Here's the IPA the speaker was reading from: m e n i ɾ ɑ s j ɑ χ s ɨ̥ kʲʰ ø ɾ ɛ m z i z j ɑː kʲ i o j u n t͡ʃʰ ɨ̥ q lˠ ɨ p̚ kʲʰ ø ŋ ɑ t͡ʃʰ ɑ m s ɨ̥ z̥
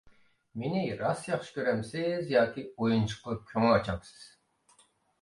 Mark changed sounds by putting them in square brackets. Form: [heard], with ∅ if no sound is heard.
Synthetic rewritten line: m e n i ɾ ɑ s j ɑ χ [ʃ] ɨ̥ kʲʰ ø ɾ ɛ m [s] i z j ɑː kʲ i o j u n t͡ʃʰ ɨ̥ q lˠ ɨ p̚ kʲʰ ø ŋ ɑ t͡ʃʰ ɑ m s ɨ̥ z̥

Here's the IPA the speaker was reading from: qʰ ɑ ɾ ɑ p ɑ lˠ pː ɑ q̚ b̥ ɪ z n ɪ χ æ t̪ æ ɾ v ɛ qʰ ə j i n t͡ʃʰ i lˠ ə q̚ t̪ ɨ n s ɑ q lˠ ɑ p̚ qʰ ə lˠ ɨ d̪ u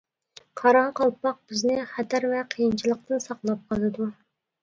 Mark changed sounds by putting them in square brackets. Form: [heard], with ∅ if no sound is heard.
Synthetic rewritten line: qʰ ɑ ɾ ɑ [q] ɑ lˠ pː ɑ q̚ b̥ ɪ z n ɪ χ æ t̪ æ ɾ v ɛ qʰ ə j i n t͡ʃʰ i lˠ ə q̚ t̪ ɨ n s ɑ q lˠ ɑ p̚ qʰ [ɑ] lˠ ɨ d̪ u

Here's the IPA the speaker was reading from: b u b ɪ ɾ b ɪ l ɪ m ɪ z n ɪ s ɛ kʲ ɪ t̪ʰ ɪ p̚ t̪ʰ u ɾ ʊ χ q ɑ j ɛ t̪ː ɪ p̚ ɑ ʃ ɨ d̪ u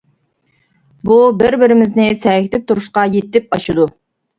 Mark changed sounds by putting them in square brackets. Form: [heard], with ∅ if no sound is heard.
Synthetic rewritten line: b u b ɪ ɾ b ɪ [ɾ] ɪ m ɪ z n ɪ s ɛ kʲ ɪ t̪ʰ ɪ p̚ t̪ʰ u ɾ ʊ [ʃ] q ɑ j [e] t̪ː ɪ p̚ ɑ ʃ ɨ d̪ u

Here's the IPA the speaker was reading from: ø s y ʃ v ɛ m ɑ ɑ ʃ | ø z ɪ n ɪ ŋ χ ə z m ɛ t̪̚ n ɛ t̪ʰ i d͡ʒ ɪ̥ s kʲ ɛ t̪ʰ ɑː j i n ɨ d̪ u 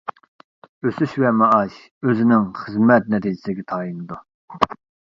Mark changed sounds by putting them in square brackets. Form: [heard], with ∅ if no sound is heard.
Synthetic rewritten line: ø s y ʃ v ɛ m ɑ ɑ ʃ | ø z ɪ n ɪ ŋ χ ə z m ɛ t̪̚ n ɛ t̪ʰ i d͡ʒ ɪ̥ s [ɡʲ] ɛ t̪ʰ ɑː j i n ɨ d̪ u

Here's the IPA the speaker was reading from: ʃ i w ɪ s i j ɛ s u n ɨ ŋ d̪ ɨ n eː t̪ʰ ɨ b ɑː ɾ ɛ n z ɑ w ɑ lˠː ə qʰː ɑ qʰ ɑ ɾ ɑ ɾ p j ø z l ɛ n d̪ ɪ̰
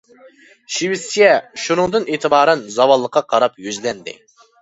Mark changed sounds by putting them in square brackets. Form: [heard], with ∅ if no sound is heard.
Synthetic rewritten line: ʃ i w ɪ s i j ɛ [ʃ] u n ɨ ŋ d̪ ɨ n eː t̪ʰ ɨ b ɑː ɾ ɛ n z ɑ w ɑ lˠː ə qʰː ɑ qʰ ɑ ɾ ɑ [∅] p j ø z l ɛ n d̪ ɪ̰

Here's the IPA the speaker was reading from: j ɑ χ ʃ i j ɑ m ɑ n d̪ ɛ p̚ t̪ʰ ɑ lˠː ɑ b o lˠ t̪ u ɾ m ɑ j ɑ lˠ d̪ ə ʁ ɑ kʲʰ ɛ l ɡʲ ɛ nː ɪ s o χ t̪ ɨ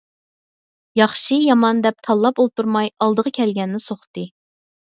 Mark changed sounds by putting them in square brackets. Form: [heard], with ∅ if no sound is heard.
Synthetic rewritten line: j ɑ χ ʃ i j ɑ m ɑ n d̪ ɛ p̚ t̪ʰ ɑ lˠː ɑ [p] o lˠ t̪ u ɾ m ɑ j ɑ lˠ d̪ ə ʁ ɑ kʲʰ ɛ l ɡʲ ɛ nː ɪ s o χ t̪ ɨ

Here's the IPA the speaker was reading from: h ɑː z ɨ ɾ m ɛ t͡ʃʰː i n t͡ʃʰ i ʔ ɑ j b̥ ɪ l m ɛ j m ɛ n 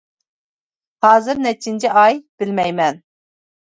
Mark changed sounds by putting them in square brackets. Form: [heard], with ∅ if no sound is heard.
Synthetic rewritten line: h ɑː z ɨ ɾ [n] ɛ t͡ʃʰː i n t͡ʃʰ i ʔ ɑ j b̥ ɪ l m ɛ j m ɛ n

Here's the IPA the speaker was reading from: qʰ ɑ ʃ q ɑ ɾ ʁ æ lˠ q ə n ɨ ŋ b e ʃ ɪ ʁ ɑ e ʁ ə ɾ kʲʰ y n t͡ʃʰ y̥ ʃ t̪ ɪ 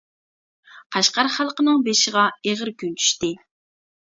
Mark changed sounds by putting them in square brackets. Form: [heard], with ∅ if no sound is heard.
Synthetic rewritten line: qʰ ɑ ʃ q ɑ ɾ [χ] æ lˠ q ə n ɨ ŋ b e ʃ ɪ ʁ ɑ e ʁ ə ɾ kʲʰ y n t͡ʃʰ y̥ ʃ t̪ ɪ

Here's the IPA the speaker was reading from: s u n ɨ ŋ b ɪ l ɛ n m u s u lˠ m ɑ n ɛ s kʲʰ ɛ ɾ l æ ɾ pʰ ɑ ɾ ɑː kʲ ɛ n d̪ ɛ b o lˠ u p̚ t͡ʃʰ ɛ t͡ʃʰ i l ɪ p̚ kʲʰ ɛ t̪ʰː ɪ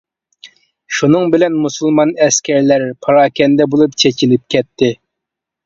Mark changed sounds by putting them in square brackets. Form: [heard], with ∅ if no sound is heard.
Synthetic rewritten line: [ʃ] u n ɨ ŋ b ɪ l ɛ n m u s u lˠ m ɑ n ɛ s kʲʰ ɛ ɾ l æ ɾ pʰ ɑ ɾ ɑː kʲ ɛ n d̪ ɛ b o lˠ u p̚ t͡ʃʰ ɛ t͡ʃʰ i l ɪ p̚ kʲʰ ɛ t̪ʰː ɪ

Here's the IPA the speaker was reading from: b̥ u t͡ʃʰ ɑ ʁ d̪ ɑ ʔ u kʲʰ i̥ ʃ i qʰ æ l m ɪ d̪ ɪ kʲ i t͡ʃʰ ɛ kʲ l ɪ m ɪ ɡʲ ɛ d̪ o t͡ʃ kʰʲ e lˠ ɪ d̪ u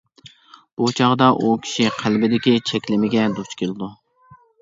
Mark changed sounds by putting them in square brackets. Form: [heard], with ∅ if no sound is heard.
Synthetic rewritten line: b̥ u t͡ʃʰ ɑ ʁ d̪ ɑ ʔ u kʲʰ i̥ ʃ i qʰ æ l [b] ɪ d̪ ɪ kʲ i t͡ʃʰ ɛ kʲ l ɪ m ɪ ɡʲ ɛ d̪ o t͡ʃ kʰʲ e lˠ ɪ d̪ u

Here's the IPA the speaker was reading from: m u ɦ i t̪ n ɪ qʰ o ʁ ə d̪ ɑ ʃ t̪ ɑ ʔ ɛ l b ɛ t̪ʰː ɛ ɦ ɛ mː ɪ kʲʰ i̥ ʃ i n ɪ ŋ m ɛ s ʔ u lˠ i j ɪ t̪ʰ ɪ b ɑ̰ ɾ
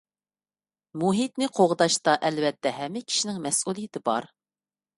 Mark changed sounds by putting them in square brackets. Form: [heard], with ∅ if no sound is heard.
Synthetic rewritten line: m u ɦ i t̪ n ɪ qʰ o ʁ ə d̪ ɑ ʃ t̪ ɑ ʔ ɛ l [v] ɛ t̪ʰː ɛ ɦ ɛ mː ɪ kʲʰ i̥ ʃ i n ɪ ŋ m ɛ s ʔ u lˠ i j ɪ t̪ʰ ɪ b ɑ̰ ɾ

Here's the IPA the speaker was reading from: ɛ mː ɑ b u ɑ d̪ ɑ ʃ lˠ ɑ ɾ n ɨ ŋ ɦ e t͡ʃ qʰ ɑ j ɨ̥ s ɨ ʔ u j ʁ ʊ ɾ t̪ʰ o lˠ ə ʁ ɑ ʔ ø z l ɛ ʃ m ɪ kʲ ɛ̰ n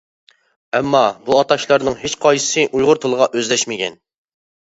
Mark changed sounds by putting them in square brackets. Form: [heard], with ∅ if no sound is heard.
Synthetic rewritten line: ɛ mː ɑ b u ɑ [t̪] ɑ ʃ lˠ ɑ ɾ n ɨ ŋ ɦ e t͡ʃ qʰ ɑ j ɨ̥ s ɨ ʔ u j ʁ ʊ ɾ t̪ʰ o lˠ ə ʁ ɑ ʔ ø z l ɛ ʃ m ɪ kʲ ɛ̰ n

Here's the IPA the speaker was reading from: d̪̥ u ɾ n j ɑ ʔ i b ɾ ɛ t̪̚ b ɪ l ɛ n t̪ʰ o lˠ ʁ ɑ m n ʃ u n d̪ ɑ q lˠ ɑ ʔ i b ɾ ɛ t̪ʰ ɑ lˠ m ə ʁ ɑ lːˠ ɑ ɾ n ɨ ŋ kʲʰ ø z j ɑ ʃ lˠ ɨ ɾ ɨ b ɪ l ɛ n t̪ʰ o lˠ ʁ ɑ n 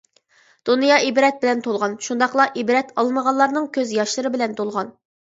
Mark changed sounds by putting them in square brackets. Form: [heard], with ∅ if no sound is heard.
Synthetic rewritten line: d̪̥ u [∅] n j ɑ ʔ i b ɾ ɛ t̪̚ b ɪ l ɛ n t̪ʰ o lˠ ʁ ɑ [∅] n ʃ u n d̪ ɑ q lˠ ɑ ʔ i b ɾ ɛ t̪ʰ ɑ lˠ m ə ʁ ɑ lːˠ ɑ ɾ n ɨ ŋ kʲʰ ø z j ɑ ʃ lˠ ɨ ɾ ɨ b ɪ l ɛ n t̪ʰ o lˠ ʁ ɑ n

